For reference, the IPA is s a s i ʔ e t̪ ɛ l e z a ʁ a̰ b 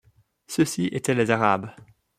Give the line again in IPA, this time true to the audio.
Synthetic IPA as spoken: s ə s i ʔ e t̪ ɛ l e z a ʁ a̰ b